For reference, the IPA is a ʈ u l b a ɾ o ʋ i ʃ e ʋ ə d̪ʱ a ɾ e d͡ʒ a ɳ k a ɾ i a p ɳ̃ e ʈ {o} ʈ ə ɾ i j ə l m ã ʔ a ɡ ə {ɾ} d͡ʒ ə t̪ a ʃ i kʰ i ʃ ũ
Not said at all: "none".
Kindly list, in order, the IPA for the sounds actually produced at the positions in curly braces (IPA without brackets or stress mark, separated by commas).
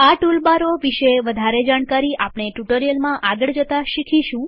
u, ɭ